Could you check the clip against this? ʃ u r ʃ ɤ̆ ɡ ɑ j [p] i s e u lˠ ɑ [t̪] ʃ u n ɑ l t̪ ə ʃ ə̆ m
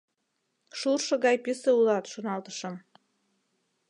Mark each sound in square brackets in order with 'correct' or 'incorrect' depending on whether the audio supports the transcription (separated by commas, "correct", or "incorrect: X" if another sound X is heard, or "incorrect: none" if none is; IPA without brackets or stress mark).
correct, correct